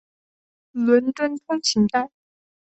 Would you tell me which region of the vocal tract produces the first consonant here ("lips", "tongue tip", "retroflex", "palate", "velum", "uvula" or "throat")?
tongue tip